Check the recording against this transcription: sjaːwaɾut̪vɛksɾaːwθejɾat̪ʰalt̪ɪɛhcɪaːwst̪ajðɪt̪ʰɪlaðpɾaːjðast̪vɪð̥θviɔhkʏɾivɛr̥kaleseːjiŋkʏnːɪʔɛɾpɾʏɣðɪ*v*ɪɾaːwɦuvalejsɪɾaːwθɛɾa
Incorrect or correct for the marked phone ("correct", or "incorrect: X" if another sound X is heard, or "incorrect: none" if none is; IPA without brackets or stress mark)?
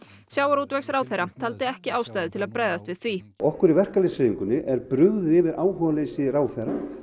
correct